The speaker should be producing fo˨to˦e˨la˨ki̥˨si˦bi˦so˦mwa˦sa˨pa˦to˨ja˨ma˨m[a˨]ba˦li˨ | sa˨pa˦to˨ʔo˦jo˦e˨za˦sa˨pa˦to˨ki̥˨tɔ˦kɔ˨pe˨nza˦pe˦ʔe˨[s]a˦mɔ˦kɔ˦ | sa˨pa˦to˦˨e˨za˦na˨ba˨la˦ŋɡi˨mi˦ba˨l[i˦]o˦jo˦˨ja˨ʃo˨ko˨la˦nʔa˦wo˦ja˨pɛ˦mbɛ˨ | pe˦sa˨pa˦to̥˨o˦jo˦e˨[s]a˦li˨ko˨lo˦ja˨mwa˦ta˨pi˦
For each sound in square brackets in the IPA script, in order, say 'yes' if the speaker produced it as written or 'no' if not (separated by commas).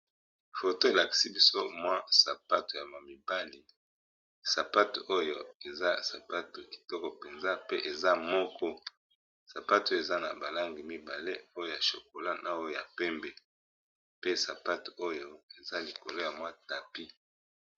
no, no, no, no